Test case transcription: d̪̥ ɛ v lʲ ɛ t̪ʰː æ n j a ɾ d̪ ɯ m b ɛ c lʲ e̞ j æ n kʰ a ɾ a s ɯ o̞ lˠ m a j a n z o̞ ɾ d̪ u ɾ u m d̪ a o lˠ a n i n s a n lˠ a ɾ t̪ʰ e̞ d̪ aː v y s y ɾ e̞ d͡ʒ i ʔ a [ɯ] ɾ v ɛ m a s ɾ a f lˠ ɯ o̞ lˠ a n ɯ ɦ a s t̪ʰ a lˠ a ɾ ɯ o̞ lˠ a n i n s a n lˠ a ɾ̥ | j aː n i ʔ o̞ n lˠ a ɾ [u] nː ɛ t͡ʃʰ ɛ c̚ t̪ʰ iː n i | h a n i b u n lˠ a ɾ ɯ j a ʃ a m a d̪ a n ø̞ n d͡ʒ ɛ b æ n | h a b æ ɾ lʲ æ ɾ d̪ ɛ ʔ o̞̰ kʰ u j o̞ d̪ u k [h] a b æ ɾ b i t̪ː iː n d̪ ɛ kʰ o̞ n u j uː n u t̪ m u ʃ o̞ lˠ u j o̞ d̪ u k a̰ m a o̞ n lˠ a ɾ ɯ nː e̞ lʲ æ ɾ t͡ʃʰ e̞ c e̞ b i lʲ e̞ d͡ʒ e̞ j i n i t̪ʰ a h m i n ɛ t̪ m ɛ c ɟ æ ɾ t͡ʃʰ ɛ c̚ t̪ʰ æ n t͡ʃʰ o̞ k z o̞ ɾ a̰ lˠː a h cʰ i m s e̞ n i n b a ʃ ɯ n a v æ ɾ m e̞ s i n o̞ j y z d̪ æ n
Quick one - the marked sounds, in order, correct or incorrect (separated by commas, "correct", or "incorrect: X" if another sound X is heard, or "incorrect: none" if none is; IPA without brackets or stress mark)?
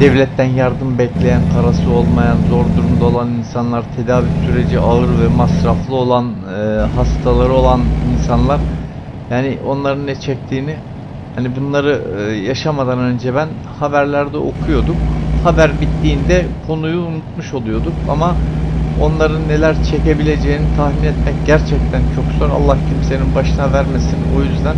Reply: correct, incorrect: ɯ, correct